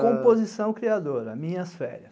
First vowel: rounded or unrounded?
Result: rounded